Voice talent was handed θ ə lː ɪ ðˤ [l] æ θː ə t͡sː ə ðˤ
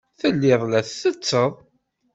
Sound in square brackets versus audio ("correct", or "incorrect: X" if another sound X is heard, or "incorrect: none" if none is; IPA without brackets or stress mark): correct